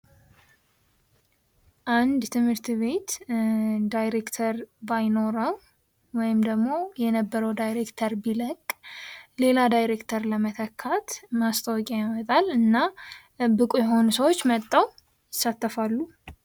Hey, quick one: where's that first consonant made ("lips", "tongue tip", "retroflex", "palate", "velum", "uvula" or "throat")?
throat